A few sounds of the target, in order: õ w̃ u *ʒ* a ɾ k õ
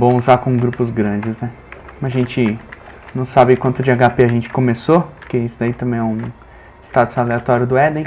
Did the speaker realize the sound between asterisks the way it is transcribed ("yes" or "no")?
no